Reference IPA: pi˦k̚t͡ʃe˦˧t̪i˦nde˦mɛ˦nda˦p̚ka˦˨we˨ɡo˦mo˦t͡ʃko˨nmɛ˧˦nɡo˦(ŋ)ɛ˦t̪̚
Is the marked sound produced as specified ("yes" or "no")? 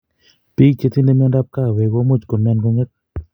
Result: yes